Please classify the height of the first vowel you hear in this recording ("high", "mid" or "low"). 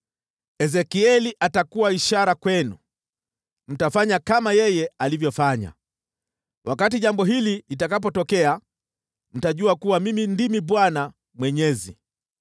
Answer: mid